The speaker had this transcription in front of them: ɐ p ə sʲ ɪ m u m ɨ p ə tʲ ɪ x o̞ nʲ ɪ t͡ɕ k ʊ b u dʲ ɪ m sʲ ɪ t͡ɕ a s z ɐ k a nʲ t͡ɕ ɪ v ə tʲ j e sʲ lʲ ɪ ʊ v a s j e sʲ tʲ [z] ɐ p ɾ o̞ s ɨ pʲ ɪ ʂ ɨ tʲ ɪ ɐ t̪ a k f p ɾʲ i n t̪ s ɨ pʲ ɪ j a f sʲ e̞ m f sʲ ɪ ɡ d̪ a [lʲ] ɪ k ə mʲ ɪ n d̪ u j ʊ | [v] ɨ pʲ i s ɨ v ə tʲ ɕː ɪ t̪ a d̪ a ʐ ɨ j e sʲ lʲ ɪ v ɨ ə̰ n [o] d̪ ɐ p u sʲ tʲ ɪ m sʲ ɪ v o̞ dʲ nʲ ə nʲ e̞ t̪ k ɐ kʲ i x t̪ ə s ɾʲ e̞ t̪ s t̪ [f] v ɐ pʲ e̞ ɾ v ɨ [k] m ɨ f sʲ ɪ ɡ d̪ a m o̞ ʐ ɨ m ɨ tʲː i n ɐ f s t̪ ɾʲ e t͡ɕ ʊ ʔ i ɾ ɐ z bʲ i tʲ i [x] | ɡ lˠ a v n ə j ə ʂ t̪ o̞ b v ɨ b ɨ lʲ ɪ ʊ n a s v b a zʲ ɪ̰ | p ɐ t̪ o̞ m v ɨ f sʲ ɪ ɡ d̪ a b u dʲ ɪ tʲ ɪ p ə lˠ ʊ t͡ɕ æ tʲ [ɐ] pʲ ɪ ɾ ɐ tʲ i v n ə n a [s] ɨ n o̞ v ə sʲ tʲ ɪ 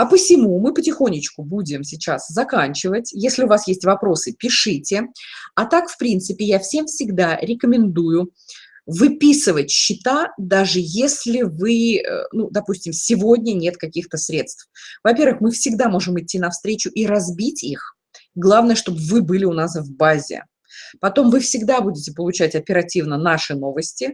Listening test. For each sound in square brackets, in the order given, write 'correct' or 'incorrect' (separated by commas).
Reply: incorrect, incorrect, correct, incorrect, correct, incorrect, correct, correct, incorrect